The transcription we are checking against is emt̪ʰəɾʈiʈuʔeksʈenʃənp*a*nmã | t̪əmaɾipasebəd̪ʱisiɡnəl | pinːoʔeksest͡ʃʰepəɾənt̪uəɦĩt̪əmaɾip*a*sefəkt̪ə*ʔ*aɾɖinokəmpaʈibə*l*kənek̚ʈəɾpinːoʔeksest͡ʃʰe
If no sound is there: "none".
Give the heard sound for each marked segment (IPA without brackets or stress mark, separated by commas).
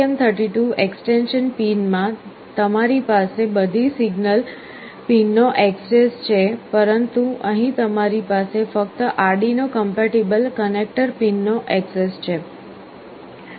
i, a, ʔ, l